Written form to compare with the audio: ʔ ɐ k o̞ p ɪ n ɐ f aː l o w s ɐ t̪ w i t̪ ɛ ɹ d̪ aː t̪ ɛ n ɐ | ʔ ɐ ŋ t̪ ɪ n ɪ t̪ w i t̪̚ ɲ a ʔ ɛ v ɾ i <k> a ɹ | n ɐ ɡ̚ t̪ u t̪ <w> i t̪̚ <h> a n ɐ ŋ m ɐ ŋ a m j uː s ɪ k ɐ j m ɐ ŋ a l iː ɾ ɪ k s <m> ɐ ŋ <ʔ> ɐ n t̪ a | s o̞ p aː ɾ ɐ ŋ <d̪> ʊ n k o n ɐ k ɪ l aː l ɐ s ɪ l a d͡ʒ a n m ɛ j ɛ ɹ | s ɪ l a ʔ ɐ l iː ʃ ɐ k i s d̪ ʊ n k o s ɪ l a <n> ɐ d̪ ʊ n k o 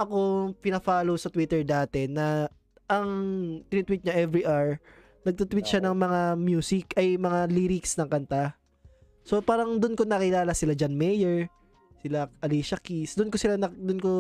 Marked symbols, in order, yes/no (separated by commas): no, yes, no, no, no, yes, yes